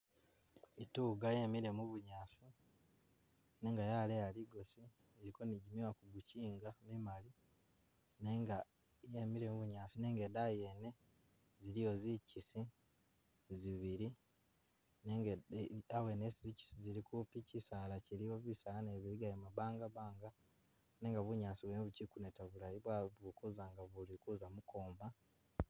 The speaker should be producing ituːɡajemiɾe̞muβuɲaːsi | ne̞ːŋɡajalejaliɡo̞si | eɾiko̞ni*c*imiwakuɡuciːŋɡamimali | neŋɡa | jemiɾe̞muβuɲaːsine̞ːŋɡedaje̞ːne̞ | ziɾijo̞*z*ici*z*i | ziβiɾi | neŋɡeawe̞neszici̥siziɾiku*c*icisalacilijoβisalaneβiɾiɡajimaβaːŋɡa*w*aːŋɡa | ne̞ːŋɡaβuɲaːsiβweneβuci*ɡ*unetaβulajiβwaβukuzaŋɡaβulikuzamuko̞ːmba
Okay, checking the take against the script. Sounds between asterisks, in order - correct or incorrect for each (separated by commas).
incorrect, correct, incorrect, incorrect, incorrect, incorrect